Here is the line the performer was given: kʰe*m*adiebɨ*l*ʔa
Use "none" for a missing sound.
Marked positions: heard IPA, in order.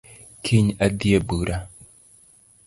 ɲ, ɾ

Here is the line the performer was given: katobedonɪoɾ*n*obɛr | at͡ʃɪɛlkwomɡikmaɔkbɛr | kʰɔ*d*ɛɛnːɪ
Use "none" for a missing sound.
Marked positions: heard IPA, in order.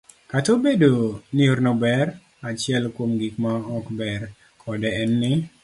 n, d

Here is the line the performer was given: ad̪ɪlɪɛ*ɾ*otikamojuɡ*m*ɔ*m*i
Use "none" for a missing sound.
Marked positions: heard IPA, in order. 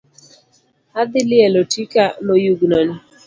l, n, n

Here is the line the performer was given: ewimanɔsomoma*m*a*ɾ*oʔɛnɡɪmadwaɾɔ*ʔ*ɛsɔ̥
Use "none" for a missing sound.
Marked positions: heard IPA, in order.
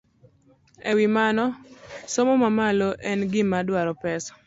m, l, p

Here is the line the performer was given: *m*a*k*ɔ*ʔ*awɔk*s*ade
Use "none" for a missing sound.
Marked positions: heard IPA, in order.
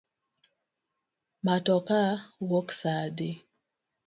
m, t, k, s

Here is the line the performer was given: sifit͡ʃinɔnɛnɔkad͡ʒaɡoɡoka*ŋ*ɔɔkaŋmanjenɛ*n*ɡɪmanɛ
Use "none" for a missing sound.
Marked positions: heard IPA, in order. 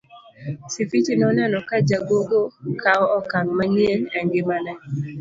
none, ŋ

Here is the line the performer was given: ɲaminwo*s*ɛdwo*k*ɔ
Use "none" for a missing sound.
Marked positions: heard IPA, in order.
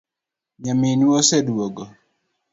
s, ɡ

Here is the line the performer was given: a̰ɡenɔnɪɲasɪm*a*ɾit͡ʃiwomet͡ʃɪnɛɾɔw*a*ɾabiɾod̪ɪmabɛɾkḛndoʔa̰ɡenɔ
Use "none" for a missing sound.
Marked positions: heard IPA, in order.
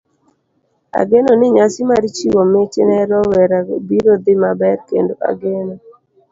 a, ɛ

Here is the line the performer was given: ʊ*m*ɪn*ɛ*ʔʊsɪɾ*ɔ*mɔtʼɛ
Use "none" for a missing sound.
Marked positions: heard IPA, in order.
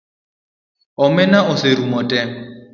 m, a, u

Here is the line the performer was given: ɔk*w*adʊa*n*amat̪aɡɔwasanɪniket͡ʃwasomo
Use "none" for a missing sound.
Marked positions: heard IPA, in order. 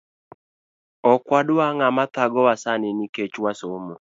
w, ŋ

